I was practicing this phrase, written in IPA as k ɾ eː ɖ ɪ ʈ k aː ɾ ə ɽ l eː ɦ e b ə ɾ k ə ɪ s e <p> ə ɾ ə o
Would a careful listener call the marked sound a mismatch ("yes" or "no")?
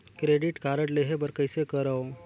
yes